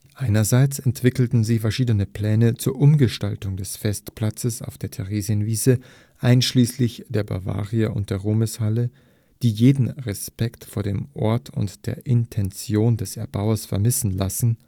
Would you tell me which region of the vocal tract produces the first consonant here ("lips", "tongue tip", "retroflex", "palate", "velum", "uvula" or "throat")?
throat